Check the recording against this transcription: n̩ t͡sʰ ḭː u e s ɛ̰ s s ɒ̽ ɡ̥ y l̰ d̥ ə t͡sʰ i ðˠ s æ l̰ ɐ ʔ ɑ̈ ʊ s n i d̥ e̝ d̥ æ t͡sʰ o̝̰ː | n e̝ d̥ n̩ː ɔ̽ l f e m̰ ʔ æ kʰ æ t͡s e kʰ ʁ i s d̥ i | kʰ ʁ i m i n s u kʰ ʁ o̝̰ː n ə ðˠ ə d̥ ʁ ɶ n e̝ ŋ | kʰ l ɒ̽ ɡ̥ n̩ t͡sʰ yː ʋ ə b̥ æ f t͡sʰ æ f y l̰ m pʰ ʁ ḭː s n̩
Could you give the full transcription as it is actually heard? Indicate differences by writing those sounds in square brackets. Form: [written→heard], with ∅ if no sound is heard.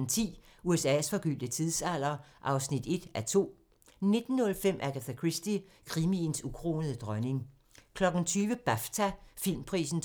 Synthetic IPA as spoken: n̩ t͡sʰ ḭː u e s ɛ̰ s [s→f] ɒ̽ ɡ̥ y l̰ d̥ ə t͡sʰ i ðˠ s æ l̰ ɐ ʔ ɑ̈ ʊ s n i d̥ e̝ d̥ æ t͡sʰ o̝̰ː | n e̝ d̥ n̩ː ɔ̽ l f e m̰ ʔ æ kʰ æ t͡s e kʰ ʁ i s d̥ i | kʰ ʁ i m i n s u kʰ ʁ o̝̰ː n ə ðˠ ə d̥ ʁ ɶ n e̝ ŋ | kʰ l ɒ̽ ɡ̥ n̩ t͡sʰ yː ʋ ə b̥ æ f t͡sʰ æ f [y→i] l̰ m pʰ ʁ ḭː s n̩